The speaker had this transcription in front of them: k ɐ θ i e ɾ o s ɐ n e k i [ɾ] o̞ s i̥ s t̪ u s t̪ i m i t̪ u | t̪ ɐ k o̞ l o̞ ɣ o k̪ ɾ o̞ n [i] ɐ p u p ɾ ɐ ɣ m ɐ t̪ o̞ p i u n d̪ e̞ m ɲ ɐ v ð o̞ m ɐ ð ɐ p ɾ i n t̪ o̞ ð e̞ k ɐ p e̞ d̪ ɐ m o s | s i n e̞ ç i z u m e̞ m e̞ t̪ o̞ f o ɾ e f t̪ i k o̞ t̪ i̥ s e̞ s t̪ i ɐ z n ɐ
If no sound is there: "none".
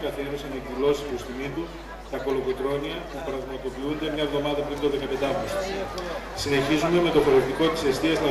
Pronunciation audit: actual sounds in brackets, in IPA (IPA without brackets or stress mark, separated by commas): l, i